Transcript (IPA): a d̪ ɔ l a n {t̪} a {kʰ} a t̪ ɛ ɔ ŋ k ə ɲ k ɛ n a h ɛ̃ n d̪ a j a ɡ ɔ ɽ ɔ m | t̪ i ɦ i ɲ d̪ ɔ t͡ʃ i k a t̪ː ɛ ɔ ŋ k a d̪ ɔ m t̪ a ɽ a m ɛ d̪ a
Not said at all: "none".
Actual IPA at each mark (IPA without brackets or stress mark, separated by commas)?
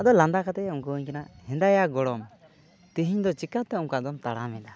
d̪, k